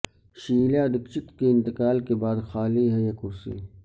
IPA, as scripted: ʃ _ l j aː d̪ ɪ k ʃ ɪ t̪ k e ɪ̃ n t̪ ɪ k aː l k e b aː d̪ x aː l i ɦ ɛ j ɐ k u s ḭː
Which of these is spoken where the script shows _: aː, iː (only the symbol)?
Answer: iː